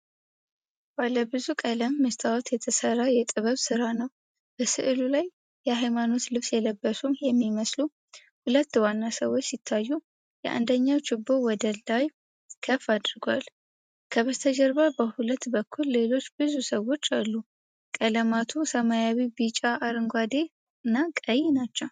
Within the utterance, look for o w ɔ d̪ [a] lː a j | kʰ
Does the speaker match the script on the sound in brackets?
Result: no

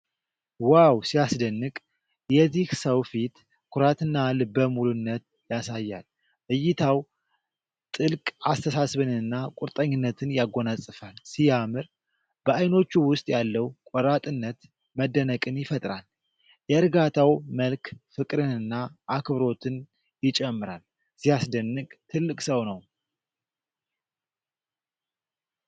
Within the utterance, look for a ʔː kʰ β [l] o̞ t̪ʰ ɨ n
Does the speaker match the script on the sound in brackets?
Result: no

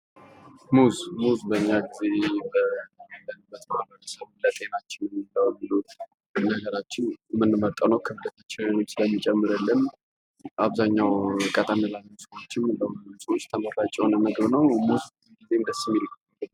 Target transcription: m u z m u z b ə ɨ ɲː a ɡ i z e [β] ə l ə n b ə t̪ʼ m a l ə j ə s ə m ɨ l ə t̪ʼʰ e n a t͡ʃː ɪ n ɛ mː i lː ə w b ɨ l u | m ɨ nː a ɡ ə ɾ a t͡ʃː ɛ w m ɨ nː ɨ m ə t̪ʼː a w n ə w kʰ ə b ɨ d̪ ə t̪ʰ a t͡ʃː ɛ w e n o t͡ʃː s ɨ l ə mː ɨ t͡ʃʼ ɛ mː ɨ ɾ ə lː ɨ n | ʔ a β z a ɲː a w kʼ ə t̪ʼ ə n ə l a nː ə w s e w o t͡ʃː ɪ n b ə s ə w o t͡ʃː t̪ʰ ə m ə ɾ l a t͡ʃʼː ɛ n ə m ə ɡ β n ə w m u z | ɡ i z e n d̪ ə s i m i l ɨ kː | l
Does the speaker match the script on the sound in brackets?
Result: no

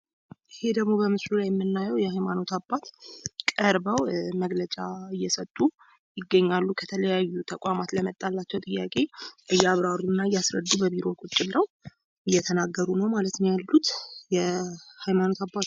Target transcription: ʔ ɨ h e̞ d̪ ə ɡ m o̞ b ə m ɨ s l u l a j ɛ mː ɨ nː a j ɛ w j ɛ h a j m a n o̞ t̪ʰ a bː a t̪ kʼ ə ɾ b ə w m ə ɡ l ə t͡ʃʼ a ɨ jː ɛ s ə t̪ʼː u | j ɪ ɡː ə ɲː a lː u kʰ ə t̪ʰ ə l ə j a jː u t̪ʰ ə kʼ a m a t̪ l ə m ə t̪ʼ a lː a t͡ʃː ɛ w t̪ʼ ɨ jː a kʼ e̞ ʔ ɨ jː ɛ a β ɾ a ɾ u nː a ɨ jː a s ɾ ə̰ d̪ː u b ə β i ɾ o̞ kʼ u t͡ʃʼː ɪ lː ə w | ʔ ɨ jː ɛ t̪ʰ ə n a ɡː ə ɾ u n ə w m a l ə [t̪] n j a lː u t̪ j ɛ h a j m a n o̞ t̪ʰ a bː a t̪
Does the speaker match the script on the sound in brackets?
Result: yes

